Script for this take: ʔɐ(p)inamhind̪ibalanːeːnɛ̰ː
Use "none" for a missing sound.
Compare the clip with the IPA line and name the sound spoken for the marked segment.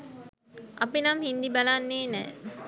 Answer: p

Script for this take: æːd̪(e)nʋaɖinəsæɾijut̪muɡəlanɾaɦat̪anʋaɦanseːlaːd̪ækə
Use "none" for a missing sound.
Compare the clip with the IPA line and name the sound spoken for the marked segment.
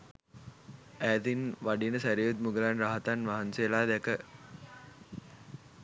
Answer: i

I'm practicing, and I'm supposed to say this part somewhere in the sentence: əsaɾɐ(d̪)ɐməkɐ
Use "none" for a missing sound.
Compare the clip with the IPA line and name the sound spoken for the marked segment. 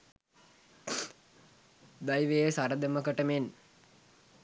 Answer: d̪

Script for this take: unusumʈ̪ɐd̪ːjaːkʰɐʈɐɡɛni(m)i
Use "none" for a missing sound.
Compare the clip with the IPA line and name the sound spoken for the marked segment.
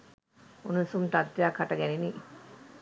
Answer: n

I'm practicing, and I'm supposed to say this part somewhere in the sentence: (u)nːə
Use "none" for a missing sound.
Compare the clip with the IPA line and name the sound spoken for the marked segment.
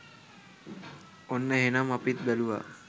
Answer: o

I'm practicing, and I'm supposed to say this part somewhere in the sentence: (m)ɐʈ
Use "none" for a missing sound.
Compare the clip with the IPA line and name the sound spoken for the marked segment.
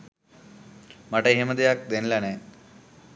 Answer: m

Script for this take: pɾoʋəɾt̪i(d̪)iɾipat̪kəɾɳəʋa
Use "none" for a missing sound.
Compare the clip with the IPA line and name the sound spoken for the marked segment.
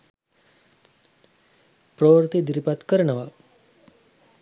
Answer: d̪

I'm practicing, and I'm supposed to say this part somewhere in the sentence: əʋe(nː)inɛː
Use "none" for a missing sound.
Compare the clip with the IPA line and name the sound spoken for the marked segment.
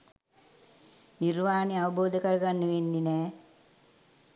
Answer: nː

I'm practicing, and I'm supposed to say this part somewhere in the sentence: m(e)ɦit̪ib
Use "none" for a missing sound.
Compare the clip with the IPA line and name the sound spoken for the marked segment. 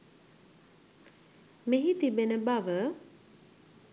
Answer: e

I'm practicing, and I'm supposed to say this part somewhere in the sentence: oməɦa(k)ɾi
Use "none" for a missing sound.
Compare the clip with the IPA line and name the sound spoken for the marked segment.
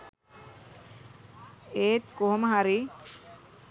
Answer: none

